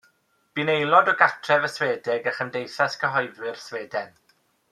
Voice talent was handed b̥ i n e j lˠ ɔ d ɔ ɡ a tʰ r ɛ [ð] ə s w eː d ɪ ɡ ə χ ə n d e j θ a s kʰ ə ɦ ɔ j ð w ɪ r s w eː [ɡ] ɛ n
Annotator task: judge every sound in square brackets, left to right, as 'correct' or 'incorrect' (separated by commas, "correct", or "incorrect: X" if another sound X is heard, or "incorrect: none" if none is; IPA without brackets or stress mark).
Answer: incorrect: v, incorrect: d